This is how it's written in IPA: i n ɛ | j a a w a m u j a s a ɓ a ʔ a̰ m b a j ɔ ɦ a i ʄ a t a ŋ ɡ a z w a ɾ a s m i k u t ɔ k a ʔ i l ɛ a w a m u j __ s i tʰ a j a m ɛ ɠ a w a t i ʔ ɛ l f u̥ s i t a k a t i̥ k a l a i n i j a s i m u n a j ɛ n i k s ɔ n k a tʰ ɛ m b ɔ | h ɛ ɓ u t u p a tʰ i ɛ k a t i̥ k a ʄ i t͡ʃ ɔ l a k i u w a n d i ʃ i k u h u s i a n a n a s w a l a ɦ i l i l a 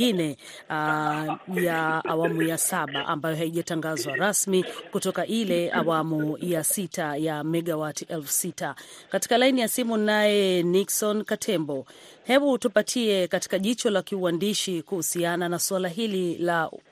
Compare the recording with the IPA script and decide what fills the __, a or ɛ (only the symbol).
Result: a